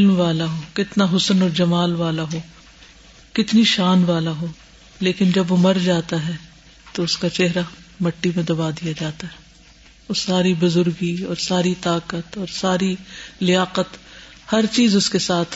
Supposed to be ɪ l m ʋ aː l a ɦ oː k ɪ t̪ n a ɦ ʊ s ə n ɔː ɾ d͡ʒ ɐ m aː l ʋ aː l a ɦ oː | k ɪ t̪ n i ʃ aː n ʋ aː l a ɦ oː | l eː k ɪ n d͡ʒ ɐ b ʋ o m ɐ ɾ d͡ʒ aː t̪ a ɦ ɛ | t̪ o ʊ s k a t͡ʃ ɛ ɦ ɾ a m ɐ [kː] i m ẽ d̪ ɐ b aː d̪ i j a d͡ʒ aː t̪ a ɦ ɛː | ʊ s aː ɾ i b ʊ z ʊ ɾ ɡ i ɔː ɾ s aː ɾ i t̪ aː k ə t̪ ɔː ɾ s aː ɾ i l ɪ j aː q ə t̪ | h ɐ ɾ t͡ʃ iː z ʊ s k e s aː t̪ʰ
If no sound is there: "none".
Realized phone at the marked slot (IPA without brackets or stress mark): ʈː